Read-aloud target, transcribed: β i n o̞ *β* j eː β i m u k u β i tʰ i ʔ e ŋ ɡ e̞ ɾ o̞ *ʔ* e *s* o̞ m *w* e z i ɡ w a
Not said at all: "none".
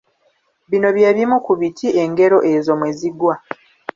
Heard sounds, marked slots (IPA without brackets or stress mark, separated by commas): β, ʔ, z, w